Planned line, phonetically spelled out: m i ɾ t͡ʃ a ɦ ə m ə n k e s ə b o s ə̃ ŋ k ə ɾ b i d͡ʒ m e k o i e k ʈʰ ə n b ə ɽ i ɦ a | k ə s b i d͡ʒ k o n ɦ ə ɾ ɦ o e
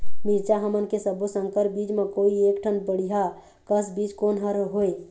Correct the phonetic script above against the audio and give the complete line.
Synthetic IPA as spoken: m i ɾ t͡ʃ a ɦ ə m ə n k e s ə b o s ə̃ ŋ k ə ɾ b i d͡ʒ m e k o i e k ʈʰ ə n b ə ɽ i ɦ a | k ə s b i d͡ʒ k o n ɦ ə ɾ ɦ o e